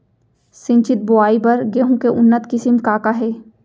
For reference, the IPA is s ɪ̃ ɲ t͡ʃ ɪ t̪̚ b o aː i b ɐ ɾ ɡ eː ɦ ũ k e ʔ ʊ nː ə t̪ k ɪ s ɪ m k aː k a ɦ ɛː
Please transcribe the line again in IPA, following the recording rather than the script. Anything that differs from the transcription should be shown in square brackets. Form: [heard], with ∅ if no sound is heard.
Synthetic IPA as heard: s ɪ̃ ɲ t͡ʃ ɪ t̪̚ b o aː i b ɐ ɾ ɡ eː ɦ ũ k e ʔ ʊ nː ə t̪ k ɪ s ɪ m k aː k a ɦ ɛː